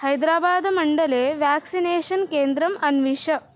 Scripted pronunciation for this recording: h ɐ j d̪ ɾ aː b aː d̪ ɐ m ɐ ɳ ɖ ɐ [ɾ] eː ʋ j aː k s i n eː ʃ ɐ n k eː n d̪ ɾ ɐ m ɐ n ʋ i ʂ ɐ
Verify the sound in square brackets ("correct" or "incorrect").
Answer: incorrect